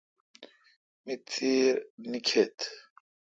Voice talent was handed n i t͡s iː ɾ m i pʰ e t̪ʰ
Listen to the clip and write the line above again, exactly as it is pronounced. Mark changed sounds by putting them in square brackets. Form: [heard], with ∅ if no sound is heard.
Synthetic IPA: [m] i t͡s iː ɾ [n] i [kʰ] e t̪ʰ